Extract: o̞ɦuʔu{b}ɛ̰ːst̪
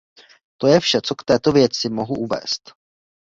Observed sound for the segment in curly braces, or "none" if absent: v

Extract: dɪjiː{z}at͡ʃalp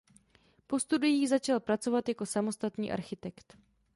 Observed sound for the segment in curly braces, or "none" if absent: z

